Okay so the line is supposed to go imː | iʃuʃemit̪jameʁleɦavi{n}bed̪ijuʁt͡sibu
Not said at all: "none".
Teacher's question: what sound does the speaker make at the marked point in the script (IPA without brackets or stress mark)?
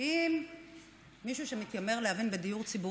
n